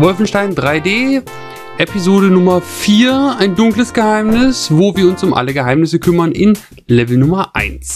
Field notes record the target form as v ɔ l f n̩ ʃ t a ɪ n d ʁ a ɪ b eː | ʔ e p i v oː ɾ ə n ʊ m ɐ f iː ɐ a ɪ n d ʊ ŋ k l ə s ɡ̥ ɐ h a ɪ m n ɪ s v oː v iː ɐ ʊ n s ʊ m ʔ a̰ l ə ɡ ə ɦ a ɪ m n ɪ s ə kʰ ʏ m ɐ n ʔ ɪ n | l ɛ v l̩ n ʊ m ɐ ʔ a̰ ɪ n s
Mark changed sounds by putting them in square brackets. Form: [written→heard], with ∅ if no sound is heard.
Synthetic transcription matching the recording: v ɔ l f n̩ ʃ t a ɪ n d ʁ a ɪ [b→d] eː | ʔ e p i [v→z] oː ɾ ə n ʊ m ɐ f iː ɐ a ɪ n d ʊ ŋ k l ə s ɡ̥ [ɐ→ə] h a ɪ m n ɪ s v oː v iː ɐ ʊ n s ʊ m ʔ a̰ l ə ɡ ə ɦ a ɪ m n ɪ s ə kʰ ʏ m ɐ n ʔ ɪ n | l ɛ v l̩ n ʊ m ɐ ʔ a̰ ɪ n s